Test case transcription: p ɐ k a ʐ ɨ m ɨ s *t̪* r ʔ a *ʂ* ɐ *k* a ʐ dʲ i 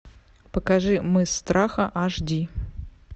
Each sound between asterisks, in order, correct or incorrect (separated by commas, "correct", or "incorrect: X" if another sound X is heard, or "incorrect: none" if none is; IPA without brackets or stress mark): correct, incorrect: x, incorrect: ʔ